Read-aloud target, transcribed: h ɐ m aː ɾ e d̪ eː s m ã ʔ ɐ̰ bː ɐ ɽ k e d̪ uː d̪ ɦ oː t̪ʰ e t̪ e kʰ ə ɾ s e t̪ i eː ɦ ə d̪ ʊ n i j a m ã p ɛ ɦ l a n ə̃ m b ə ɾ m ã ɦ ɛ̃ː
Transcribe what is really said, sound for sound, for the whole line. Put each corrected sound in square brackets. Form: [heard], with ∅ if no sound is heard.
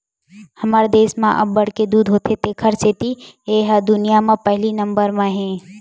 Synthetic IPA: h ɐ m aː ɾ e d̪ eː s m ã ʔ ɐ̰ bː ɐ ɽ k e d̪ uː d̪ ɦ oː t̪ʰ e t̪ e kʰ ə ɾ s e t̪ i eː ɦ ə d̪ ʊ n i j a m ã p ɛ ɦ l [i] n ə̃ m b ə ɾ m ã ɦ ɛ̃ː